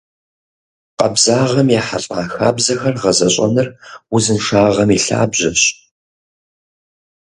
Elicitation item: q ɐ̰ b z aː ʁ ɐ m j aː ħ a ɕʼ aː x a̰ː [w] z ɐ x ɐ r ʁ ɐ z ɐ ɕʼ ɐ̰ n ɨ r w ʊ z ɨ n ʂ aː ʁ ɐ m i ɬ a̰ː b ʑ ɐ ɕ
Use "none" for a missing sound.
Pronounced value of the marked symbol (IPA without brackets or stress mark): b